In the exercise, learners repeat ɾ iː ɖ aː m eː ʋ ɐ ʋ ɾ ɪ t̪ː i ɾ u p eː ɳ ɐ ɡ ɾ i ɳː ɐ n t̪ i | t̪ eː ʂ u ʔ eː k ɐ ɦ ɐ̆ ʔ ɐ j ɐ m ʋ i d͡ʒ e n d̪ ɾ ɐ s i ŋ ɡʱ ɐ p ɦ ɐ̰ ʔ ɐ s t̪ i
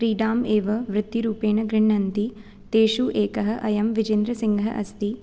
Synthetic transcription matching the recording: ɾ iː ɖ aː m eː ʋ ɐ ʋ ɾ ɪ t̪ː i ɾ uː p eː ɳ ɐ ɡ ɾ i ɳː ɐ n t̪ i | t̪ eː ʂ u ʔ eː k ɐ ɦ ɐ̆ ʔ ɐ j ɐ m ʋ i d͡ʒ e n d̪ ɾ ɐ s i ŋ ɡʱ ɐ ɦ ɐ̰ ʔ ɐ s t̪ i